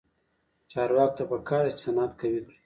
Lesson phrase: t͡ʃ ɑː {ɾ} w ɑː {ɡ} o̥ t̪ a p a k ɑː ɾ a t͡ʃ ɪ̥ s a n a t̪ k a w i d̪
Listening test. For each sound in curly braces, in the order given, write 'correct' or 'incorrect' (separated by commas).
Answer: correct, incorrect